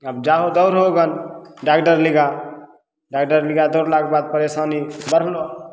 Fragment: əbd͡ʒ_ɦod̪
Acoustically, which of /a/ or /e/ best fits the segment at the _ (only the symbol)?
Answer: a